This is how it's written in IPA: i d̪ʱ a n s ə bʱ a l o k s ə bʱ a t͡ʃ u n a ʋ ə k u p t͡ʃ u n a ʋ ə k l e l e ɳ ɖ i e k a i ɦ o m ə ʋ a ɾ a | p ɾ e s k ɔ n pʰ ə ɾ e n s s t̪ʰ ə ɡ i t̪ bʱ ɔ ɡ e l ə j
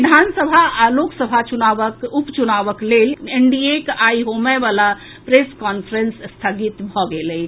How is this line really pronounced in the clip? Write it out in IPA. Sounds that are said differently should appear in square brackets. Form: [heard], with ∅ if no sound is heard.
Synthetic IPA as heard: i d̪ʱ a n s ə bʱ a l o k s ə bʱ a t͡ʃ u n a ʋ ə k u p t͡ʃ u n a ʋ ə k l e l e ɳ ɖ i e k a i ɦ o m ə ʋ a [l] a | p ɾ e s k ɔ n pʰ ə ɾ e n s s t̪ʰ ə ɡ i t̪ bʱ ɔ ɡ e l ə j